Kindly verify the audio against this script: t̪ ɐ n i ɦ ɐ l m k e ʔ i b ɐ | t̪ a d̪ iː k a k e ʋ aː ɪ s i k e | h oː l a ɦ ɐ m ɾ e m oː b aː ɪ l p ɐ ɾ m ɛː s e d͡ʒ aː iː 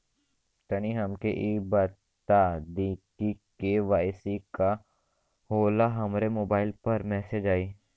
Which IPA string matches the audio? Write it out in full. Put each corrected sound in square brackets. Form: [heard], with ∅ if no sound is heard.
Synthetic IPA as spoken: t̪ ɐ n i ɦ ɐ [∅] m k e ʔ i b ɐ | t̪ a d̪ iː k [i] k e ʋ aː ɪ s i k [a] | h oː l a ɦ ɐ m ɾ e m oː b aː ɪ l p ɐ ɾ m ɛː s e d͡ʒ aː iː